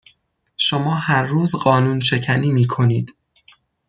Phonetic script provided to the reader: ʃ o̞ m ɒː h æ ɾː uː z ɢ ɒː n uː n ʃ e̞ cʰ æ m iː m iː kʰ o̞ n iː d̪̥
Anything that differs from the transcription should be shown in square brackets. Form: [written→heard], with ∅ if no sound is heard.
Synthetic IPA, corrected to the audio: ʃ o̞ m ɒː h æ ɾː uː z ɢ ɒː n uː n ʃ e̞ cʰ æ [m→n] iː m iː kʰ o̞ n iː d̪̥